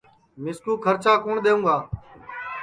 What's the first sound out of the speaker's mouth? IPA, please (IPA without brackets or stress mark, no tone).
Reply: m